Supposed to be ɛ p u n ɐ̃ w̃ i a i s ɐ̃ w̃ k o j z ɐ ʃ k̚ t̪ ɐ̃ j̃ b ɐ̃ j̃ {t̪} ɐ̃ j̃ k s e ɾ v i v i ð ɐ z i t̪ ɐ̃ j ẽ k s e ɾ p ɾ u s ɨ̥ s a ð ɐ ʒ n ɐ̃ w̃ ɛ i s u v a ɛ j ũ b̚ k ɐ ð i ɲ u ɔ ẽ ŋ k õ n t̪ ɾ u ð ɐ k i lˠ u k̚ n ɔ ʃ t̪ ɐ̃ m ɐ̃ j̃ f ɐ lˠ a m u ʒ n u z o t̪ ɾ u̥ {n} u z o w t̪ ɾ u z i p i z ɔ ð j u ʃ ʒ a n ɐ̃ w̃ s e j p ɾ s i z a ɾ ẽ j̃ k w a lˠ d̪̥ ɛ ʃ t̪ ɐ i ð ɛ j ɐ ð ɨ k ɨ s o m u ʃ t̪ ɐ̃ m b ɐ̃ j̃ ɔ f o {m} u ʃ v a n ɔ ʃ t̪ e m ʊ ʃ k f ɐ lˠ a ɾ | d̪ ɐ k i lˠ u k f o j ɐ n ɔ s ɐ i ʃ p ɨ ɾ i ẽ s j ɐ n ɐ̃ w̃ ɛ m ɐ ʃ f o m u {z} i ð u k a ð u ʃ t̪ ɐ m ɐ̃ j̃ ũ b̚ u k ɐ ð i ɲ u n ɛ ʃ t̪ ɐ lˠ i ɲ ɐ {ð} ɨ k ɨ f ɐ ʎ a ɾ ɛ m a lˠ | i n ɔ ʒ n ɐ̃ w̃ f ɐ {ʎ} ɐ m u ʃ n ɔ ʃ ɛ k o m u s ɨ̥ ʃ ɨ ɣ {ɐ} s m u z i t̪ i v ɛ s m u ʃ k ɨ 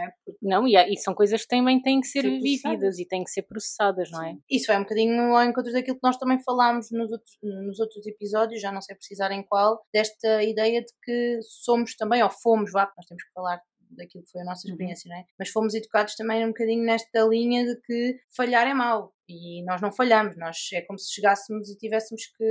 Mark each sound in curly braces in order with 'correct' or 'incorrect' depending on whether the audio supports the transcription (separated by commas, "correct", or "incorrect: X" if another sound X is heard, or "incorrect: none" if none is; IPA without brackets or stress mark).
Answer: correct, correct, correct, correct, correct, correct, incorrect: a